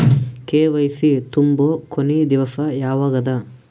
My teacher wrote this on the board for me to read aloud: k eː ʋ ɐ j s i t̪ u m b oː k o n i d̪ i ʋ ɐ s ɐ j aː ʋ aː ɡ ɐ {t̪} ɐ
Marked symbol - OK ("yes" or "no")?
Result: no